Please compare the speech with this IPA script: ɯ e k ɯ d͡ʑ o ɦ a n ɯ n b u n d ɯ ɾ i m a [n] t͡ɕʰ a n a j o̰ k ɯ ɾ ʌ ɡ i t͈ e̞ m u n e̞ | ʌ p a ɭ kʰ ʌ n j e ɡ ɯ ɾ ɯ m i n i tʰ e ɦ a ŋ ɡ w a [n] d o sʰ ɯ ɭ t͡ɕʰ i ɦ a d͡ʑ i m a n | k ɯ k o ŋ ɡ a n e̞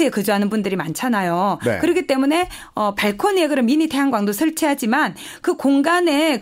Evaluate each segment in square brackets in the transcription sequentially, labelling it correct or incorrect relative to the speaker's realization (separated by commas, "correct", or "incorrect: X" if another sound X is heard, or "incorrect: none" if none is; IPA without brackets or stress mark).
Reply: correct, incorrect: ŋ